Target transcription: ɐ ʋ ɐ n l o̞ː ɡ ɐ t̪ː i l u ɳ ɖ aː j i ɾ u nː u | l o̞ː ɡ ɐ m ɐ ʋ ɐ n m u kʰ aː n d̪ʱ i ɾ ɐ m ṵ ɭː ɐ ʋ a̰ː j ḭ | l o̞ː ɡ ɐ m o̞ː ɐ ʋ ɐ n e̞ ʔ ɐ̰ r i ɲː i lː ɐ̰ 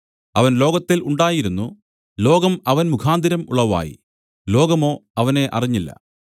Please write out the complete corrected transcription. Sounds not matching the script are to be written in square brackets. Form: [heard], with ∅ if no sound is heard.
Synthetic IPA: ɐ ʋ ɐ n l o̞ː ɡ ɐ t̪ː i l u ɳ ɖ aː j i ɾ u nː u | l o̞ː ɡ ɐ m ɐ ʋ ɐ n m u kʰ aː n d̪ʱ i ɾ ɐ m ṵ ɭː ɐ ʋ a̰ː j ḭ | l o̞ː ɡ ɐ m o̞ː ɐ ʋ ɐ n e̞ ʔ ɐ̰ r i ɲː i lː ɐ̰